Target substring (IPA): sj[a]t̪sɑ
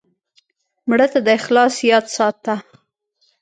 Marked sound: incorrect: ɑ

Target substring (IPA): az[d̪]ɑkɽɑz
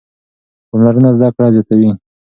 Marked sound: correct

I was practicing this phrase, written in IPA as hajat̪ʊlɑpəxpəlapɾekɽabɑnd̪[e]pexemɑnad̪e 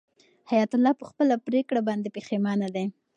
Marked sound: correct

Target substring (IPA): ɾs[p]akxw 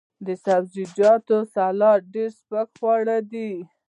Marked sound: correct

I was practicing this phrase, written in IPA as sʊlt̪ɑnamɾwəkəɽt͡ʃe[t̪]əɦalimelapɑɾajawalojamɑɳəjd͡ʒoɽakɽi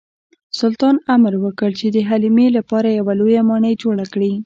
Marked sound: incorrect: d̪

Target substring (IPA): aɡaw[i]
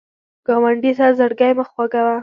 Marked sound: incorrect: a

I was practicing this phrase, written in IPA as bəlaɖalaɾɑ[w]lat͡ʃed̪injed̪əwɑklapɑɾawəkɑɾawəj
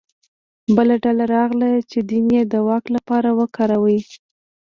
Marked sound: incorrect: ɣ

